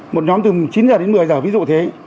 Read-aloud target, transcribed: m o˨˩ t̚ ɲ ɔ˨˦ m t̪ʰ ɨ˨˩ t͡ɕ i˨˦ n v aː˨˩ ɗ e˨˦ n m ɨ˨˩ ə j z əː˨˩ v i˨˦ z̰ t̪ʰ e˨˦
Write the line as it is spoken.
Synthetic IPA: m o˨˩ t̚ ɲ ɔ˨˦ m t̪ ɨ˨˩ t͡ɕ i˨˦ n z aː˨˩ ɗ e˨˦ n m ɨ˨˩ ə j z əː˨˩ v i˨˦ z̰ t̪ʰ e˨˦